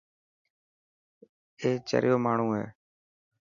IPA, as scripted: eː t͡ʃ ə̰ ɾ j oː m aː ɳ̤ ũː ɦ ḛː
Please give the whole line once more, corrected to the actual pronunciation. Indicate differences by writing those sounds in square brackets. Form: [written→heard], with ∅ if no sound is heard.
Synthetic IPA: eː t͡ʃ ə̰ ɾ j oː m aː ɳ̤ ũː ɦ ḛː